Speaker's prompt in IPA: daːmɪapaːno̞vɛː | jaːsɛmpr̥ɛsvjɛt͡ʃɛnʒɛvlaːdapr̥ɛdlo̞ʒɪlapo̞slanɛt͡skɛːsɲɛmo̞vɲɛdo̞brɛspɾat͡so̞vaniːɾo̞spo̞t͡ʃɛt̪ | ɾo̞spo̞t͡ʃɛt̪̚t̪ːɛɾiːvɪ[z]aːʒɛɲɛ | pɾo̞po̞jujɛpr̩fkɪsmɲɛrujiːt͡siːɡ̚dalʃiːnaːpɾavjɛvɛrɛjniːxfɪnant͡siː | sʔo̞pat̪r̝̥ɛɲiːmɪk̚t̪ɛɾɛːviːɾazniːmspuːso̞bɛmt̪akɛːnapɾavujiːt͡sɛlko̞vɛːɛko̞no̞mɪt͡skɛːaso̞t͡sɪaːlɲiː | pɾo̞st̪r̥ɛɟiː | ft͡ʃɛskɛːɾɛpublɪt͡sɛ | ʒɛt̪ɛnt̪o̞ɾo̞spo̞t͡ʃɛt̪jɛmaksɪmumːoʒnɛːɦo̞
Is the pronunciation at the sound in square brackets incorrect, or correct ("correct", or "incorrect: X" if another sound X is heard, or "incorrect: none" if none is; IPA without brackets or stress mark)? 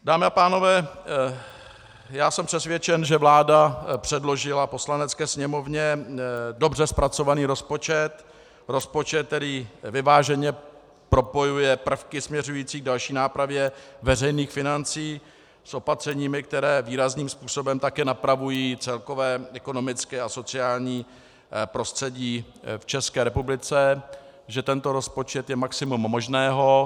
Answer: incorrect: v